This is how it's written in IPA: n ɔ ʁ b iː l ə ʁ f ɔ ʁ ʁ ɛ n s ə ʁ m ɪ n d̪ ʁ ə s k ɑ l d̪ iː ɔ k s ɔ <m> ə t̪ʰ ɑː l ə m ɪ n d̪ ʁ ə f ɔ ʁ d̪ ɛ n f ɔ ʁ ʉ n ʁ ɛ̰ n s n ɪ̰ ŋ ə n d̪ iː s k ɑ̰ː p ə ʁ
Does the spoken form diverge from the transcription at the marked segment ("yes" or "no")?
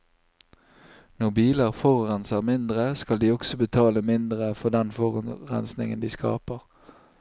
yes